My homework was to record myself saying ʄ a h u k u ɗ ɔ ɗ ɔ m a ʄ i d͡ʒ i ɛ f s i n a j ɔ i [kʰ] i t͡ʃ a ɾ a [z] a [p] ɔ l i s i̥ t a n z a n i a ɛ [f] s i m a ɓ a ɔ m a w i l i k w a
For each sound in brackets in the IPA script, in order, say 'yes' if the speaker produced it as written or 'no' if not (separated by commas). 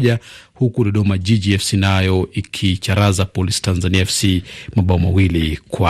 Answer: yes, yes, yes, yes